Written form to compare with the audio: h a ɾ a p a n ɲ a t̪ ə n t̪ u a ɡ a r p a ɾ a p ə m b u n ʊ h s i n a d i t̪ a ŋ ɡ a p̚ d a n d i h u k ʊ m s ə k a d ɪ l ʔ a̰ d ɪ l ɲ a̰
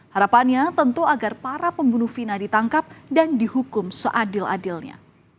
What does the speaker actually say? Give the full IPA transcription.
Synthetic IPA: h a ɾ a p a n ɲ a t̪ ə n t̪ u a ɡ a r p a ɾ a p ə m b u n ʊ h f i n a d i t̪ a ŋ k a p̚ d a n d i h u k ʊ m s ə ʔ a d ɪ l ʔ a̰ d ɪ l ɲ a̰